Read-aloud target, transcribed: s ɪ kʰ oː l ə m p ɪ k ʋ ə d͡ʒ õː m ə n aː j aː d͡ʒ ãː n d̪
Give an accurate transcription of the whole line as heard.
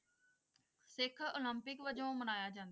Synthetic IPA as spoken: s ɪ kʰ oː l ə m p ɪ k ʋ ə d͡ʒ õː m ə n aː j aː d͡ʒ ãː n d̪